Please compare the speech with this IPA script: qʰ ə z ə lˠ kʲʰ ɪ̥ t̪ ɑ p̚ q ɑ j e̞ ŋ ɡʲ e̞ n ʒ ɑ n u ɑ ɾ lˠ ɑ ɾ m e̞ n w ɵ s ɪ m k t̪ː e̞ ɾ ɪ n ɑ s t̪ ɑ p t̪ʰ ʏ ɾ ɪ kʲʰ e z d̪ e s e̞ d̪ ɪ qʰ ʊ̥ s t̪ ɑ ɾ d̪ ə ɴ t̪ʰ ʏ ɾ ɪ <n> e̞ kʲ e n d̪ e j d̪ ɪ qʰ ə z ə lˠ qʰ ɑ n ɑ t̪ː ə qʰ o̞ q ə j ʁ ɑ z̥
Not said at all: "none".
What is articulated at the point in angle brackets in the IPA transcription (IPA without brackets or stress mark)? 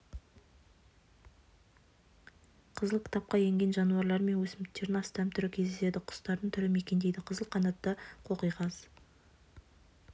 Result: m